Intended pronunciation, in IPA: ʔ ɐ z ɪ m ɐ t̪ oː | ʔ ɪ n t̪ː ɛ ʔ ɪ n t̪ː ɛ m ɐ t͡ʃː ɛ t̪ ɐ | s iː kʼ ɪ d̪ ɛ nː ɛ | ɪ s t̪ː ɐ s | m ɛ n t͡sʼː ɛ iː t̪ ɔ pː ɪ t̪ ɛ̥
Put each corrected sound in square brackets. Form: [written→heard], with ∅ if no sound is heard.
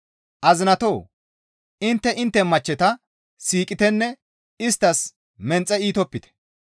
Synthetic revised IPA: ʔ ɐ z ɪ [m→n] ɐ t̪ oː | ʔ ɪ n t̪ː ɛ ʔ ɪ n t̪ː ɛ m ɐ t͡ʃː ɛ t̪ ɐ | s iː kʼ ɪ [d̪→t̪] ɛ nː ɛ | ɪ s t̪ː ɐ s | m ɛ n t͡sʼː ɛ iː t̪ ɔ pː ɪ t̪ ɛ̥